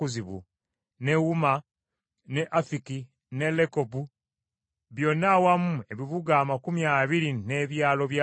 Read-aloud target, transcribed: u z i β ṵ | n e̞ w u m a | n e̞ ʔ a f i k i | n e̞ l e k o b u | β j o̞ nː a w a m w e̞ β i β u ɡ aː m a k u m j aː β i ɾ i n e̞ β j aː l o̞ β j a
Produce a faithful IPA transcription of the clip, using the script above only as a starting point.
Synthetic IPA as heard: u z i β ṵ | n e̞ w u m a | n e̞ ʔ a f i k i | n e̞ l e k o b u | β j o̞ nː a w a m u e̞ β i β u ɡ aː m a k u m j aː β i ɾ i n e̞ β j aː l o̞ β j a